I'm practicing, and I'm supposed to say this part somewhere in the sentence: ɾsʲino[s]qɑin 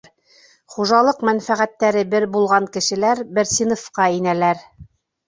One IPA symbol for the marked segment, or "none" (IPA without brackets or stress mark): f